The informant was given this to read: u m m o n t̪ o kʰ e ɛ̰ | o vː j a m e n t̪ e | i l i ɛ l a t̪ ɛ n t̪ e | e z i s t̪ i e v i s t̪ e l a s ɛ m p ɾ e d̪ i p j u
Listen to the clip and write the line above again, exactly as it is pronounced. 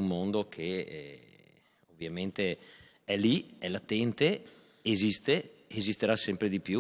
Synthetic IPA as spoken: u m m o n d̪ o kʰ e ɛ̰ | o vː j a m e n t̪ e | ɛ l i ɛ l a t̪ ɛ n t̪ e | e z i s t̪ e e z i s t̪ e ɾ a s ɛ m p ɾ e d̪ i p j u